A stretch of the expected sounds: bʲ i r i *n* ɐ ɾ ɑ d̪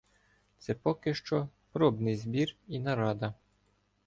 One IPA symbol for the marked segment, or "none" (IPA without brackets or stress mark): n